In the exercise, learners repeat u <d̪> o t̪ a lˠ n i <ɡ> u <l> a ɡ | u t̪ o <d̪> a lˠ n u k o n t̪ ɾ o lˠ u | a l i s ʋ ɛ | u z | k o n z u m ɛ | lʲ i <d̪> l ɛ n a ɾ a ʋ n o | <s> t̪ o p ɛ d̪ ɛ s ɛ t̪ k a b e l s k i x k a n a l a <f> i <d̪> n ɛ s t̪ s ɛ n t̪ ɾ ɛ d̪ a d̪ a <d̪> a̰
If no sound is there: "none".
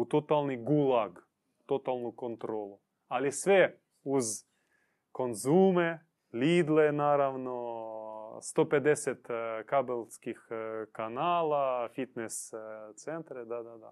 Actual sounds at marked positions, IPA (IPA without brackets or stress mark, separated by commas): t̪, ɡ, l, t̪, d̪, s, f, t̪, d̪